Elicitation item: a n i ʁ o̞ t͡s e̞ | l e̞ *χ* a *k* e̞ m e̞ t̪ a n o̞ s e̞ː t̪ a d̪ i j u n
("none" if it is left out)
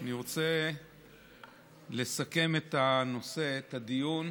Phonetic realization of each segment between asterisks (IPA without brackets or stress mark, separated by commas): s, k